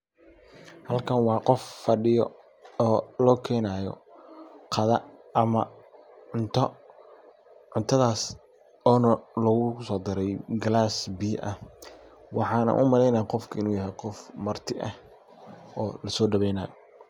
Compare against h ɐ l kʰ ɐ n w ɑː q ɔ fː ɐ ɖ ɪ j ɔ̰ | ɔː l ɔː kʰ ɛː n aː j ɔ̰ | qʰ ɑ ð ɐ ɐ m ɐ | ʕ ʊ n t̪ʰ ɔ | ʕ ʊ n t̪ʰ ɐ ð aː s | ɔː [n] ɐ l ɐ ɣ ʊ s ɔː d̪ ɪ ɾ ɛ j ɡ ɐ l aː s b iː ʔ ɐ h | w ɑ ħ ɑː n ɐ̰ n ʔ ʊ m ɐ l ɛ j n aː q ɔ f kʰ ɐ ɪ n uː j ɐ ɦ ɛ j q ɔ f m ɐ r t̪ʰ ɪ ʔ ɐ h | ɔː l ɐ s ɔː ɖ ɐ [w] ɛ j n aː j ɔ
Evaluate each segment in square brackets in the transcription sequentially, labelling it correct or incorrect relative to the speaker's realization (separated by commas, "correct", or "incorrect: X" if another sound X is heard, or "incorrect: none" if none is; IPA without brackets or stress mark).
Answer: correct, incorrect: β